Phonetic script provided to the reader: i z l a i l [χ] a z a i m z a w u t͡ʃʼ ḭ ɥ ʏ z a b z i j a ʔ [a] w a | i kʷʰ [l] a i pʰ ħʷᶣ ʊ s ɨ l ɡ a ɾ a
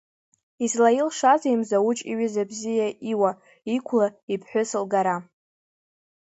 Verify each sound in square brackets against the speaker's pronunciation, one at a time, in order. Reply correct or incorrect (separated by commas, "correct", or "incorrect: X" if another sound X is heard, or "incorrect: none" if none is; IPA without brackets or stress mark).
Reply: incorrect: ʂ, incorrect: i, correct